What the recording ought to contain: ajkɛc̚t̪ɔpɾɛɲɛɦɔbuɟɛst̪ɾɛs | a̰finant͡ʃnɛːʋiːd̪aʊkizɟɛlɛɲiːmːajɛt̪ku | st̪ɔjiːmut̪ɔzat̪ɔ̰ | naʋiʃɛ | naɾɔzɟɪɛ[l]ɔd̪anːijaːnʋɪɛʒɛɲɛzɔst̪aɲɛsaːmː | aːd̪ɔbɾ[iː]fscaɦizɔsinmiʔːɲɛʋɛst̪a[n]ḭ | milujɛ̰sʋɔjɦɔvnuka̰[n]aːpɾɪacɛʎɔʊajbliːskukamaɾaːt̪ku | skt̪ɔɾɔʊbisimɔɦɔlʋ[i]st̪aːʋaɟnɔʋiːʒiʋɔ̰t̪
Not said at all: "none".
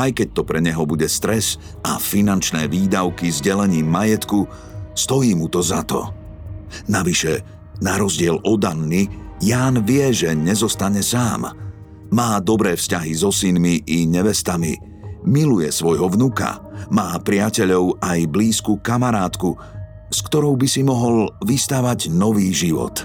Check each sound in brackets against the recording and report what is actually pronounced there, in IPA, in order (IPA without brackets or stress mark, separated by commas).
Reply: l, ɛː, m, m, i